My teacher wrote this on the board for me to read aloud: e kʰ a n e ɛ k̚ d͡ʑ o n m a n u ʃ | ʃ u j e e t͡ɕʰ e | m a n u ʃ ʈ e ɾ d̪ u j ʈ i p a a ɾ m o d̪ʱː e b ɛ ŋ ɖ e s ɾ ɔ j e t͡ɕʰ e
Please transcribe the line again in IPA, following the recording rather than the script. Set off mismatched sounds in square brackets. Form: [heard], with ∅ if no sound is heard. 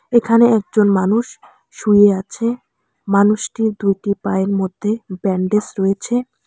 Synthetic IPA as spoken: e kʰ a n e ɛ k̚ d͡ʑ o n m a n u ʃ | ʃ u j e [a] t͡ɕʰ e | m a n u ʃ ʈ [i] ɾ d̪ u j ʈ i p a [e] ɾ m o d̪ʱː e b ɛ [ɳ] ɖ e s ɾ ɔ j e t͡ɕʰ e